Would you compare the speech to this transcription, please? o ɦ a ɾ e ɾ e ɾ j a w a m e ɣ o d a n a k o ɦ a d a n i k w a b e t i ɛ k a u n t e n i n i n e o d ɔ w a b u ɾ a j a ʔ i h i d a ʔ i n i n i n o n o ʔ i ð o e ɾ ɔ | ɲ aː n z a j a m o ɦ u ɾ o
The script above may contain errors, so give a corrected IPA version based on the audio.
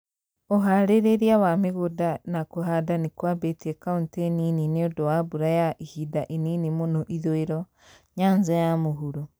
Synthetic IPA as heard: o ɦ a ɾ e ɾ e ɾ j a w a m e ɣ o d a n a k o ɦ a d a n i k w a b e t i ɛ k a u n t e n i n i n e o d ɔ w a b u ɾ a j a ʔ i h i d a ʔ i n i n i m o n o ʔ i ð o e ɾ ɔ | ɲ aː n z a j a m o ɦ u ɾ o